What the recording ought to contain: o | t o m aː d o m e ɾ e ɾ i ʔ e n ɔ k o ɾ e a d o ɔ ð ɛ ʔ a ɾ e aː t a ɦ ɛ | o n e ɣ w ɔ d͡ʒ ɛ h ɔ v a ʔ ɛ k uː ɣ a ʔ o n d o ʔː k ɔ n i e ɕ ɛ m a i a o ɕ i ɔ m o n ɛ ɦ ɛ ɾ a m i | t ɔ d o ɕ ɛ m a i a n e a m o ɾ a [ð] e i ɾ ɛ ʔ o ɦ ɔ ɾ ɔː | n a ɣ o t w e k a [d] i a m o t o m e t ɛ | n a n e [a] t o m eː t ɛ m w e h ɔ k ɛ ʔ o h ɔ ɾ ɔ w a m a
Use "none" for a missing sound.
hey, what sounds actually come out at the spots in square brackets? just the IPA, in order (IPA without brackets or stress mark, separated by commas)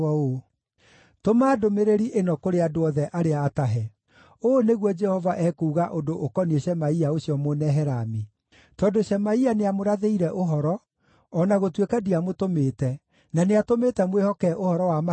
ð, d, a